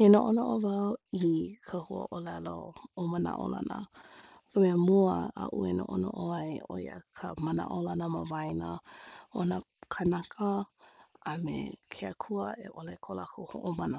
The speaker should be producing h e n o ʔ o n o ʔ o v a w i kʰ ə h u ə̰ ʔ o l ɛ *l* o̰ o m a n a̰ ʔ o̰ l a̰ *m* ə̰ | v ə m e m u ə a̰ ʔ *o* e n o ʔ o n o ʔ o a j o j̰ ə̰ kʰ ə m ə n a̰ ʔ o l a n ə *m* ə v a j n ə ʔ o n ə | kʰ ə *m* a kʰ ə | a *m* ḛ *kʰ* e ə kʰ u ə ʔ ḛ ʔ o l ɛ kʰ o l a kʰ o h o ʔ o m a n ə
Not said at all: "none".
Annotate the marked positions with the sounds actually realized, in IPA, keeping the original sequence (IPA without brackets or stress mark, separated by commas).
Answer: l, n, u, m, n, m, kʰ